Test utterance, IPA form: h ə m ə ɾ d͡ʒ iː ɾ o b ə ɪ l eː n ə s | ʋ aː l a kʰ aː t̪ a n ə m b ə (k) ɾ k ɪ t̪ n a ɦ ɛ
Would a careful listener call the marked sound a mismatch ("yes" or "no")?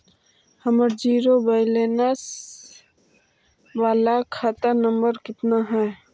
yes